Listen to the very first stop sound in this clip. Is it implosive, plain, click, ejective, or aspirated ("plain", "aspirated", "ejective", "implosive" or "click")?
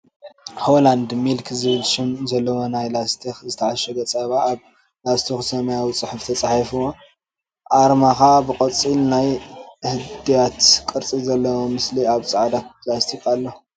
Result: plain